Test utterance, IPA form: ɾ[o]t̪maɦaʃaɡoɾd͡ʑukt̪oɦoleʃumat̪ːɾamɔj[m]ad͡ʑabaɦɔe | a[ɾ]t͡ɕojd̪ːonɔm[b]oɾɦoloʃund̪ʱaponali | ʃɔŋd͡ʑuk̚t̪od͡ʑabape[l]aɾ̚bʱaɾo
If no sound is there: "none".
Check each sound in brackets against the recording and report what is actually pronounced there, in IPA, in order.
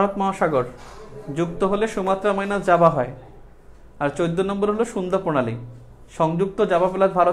o, n, ɾ, b, l

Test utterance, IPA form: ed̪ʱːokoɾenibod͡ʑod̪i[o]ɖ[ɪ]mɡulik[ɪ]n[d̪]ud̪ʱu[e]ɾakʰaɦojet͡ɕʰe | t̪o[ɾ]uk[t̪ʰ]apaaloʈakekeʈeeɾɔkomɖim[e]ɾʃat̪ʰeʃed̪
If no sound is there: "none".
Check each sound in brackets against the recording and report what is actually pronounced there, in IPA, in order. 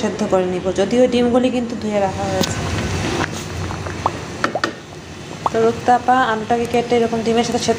o, i, i, t̪, e, ɾ, t̪, e

